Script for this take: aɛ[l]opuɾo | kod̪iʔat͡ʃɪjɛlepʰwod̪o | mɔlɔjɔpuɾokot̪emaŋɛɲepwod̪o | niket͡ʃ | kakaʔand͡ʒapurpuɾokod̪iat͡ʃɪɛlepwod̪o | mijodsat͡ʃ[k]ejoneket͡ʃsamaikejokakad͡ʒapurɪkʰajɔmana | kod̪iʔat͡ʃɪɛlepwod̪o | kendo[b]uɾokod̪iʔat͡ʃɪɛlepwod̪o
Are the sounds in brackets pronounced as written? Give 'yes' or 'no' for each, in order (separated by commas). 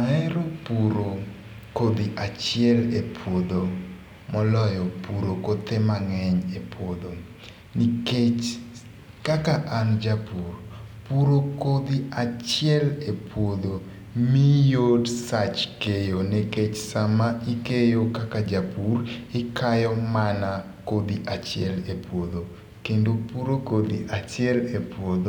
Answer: no, yes, no